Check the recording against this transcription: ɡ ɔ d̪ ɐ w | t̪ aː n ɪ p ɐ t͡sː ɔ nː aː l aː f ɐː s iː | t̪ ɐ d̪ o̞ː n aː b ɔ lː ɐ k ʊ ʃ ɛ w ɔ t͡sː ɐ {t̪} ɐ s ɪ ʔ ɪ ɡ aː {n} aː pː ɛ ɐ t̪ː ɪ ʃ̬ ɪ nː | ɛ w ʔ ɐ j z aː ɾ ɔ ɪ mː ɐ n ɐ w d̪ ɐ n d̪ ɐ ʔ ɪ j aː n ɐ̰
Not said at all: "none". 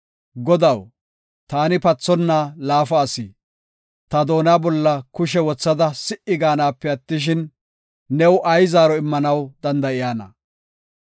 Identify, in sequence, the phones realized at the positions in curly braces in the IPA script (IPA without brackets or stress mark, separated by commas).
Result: d̪, n